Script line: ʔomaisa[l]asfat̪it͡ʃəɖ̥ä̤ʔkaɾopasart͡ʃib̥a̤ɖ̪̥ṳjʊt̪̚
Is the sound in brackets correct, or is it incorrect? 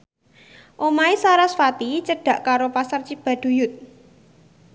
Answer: incorrect